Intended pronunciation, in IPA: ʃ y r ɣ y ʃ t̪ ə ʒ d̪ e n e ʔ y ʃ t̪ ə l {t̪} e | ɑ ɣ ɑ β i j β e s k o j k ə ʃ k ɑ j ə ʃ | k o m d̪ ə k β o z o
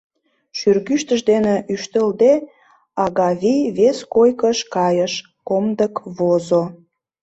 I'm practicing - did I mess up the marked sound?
yes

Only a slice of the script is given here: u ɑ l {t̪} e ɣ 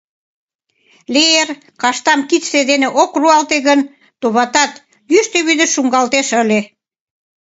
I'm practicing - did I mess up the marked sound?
no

